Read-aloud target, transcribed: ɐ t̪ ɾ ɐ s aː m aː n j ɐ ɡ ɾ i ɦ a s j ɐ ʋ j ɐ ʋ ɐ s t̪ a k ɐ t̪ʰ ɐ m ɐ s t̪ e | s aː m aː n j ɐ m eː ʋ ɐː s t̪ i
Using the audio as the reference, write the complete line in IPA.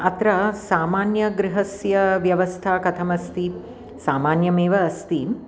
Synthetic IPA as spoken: ɐ t̪ ɾ ɐ s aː m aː n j ɐ ɡ ɾ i ɦ ɐ s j ɐ ʋ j ɐ ʋ ɐ s t̪ʰ a k ɐ t̪ʰ ɐ m ɐ s t̪ i | s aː m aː n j ɐ m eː ʋ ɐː s t̪ i